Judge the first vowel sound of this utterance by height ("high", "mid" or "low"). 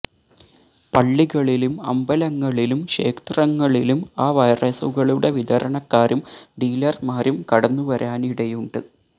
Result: low